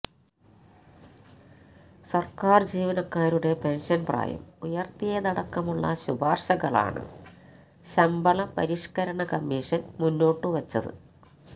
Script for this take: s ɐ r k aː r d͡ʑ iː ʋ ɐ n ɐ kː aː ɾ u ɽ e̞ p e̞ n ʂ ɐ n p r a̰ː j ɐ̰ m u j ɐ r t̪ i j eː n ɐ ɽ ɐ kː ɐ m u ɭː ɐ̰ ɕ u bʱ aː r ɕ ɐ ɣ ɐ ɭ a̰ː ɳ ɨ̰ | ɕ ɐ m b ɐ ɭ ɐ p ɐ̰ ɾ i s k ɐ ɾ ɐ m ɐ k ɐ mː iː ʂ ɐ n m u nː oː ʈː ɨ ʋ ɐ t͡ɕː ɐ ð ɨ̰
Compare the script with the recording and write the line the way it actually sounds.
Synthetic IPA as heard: s ɐ r k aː r d͡ʑ iː ʋ ɐ n ɐ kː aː ɾ u ɽ e̞ p e̞ n ʂ ɐ n p r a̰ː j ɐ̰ m u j ɐ r t̪ i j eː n ɐ ɽ ɐ kː ɐ m u ɭː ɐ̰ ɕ u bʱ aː r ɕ ɐ ɣ ɐ ɭ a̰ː ɳ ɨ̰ | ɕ ɐ m b ɐ ɭ ɐ p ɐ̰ ɾ i ʂ k ɐ ɾ ɐ ɳ ɐ k ɐ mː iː ʂ ɐ n m u nː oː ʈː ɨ ʋ ɐ t͡ɕː ɐ ð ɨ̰